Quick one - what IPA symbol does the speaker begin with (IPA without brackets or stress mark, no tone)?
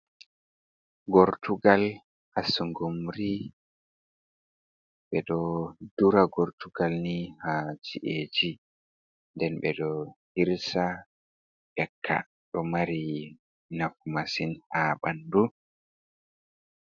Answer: ɡ